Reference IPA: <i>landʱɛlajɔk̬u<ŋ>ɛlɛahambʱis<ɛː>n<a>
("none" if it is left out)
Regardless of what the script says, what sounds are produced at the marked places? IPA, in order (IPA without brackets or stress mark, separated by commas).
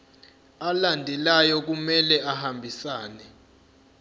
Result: a, m, aː, ɛ